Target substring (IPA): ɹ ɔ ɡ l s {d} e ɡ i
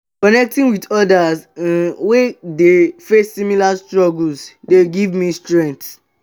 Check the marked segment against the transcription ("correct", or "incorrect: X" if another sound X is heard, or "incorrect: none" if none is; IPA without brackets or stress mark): correct